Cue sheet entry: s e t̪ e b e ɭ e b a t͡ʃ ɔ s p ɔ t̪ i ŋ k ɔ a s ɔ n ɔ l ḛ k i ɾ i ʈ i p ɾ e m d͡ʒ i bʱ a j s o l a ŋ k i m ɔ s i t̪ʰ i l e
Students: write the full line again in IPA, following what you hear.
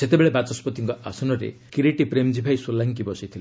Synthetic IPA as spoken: s e t̪ e b e ɭ e b a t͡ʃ ɔ s p ɔ t̪ i ŋ k ɔ a s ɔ n ɔ ɾ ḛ k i ɾ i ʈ i p ɾ e m d͡ʒ i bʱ a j s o l a ŋ k i b ɔ s i t̪ʰ i l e